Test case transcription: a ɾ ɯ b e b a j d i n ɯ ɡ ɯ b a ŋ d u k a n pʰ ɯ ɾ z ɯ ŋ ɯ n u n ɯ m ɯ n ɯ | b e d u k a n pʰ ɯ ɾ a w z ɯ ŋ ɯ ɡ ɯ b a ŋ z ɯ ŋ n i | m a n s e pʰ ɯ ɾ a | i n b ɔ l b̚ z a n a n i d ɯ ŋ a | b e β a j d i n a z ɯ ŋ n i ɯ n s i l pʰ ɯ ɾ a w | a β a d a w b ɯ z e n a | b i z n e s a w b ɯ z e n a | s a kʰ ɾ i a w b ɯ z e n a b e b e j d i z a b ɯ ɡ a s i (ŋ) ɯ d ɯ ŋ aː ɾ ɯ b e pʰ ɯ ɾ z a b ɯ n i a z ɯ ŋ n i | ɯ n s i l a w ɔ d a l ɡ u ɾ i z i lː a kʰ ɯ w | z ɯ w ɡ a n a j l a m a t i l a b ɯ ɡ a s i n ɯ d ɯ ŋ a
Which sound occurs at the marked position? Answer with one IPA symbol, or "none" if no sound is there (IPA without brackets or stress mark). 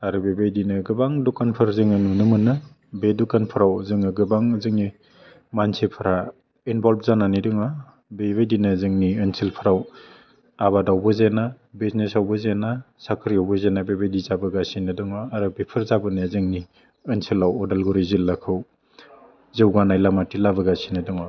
n